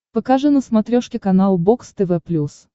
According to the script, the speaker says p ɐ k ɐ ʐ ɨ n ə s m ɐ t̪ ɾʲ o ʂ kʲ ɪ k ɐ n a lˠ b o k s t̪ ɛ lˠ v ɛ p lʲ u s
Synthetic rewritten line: p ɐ k a ʐ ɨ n ə s m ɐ t̪ ɾʲ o ʂ kʲ ɪ k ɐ n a lˠ b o k s t̪ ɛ v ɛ p lʲ u s

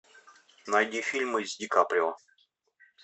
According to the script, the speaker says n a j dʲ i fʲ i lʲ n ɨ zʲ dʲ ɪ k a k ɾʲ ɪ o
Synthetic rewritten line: n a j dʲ i fʲ i lʲ m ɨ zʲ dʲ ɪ k a p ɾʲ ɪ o

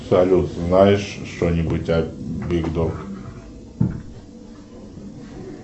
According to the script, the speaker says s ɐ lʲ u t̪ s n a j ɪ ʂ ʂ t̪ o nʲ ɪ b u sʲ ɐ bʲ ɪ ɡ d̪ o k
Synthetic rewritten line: s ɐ lʲ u t̪ z n a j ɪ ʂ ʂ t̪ o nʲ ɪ b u tʲ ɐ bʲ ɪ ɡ d̪ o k

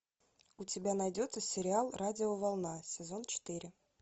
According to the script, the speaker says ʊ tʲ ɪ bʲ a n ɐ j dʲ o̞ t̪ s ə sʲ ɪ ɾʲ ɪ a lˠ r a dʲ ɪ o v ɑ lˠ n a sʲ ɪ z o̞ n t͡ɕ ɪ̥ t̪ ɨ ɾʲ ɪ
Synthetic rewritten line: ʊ tʲ ɪ bʲ a n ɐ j dʲ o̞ t̪ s ə sʲ ɪ ɾʲ ɪ a lˠ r a dʲ ɪ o v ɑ lˠ n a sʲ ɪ z o̞ n t͡ɕ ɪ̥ t̪ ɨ ɾʲ ɪ

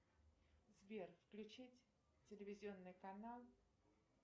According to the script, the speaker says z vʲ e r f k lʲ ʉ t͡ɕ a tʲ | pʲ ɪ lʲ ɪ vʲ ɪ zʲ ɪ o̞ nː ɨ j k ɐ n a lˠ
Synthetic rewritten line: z vʲ e r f k lʲ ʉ t͡ɕ i tʲ | tʲ ɪ lʲ ɪ vʲ ɪ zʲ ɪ o̞ nː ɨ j k ɐ n a lˠ

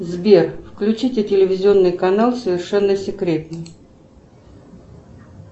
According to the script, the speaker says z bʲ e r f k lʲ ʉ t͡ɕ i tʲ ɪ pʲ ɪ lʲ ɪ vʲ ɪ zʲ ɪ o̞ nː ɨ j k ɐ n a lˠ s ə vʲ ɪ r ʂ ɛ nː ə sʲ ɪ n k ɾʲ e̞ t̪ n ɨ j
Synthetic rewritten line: z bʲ e r f k lʲ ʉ t͡ɕ i tʲ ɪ tʲ ɪ lʲ ɪ vʲ ɪ zʲ ɪ o̞ nː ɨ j k ɐ n a lˠ s ə vʲ ɪ r ʂ ɛ nː ə sʲ ɪ k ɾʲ e̞ t̪ n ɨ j

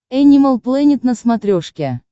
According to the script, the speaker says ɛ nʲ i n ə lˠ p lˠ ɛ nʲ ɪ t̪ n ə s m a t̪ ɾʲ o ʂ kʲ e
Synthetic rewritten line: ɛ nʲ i m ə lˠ p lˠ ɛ nʲ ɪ t̪ n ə s m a t̪ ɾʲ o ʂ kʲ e

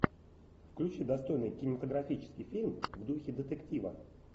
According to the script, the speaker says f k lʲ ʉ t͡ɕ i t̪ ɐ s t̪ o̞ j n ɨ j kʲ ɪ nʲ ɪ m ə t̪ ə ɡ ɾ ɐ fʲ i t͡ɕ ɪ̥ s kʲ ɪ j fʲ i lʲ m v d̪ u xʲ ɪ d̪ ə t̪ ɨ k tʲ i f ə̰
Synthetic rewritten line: f k lʲ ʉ t͡ɕ i d̪ ɐ s t̪ o̞ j n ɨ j kʲ ɪ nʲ ɪ m ə t̪ ə ɡ ɾ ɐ fʲ i t͡ɕ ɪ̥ s kʲ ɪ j fʲ i lʲ m v d̪ u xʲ ɪ d̪ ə t̪ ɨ k tʲ i v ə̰

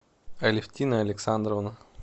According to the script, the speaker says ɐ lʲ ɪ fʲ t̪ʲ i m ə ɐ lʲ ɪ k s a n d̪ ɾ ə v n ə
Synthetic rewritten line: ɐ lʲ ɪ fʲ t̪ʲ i n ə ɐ lʲ ɪ k s a n d̪ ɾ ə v n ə

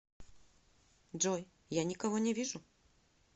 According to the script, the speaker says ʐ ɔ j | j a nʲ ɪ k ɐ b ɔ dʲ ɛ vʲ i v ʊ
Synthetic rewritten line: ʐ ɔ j | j a nʲ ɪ k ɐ v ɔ nʲ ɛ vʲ i ʐ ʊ

